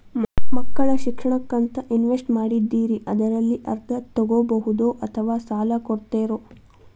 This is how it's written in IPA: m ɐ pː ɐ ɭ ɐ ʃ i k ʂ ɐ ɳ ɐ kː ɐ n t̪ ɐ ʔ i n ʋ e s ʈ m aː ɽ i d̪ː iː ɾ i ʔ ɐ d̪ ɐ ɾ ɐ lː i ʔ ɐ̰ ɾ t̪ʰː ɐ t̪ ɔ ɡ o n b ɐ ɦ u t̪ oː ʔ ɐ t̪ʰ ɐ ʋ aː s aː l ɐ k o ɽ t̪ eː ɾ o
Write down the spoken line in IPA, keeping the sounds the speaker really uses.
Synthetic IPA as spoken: m ɐ kː ɐ ɭ ɐ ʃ i k ʂ ɐ ɳ ɐ kː ɐ n t̪ ɐ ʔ i n ʋ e s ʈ m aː ɽ i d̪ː iː ɾ i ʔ ɐ d̪ ɐ ɾ ɐ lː i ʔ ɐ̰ ɾ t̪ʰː ɐ t̪ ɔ ɡ o b ɐ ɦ u d̪ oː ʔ ɐ t̪ʰ ɐ ʋ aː s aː l ɐ k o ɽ t̪ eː ɾ o